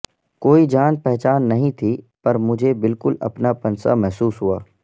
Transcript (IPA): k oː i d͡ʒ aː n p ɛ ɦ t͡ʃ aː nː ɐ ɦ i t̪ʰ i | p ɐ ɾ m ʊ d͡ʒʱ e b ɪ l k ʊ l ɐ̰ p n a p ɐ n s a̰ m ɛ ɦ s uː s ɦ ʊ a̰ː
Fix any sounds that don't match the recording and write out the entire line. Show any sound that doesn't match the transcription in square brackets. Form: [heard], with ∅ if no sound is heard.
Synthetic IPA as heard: k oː i d͡ʒ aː n p ɛ ɦ t͡ʃ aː nː ɐ ɦ [ĩ] t̪ʰ i | p ɐ ɾ m ʊ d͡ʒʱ e b ɪ l k ʊ l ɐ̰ p n a p ɐ n s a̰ m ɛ ɦ s uː s ɦ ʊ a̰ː